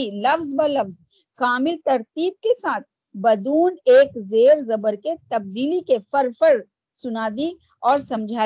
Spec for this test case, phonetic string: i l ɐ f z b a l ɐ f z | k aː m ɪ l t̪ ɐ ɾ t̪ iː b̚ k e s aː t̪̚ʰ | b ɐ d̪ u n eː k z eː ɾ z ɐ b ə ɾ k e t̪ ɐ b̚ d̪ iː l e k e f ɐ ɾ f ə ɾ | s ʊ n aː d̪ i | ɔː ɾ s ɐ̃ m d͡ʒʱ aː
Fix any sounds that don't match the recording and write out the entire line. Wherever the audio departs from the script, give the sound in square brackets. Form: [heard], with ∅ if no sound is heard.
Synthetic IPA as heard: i l ɐ f z b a l ɐ f z | k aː m ɪ l t̪ ɐ ɾ t̪ iː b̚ k e s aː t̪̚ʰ | b ɐ d̪ [uː] n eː k z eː ɾ z ɐ b ə ɾ k e t̪ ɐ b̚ d̪ iː l [i] k e f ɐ ɾ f ə ɾ | s ʊ n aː d̪ i | ɔː ɾ s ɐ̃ m d͡ʒʱ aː